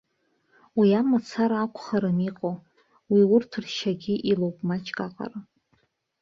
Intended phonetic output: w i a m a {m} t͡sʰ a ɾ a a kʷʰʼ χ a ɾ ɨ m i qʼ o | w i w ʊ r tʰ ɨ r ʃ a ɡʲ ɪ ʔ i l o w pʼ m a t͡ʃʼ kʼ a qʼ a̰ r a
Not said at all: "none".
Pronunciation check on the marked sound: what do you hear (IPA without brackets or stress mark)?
none